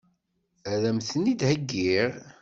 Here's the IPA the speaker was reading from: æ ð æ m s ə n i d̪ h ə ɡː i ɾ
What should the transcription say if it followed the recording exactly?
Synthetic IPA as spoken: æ ð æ m θ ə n i d̪ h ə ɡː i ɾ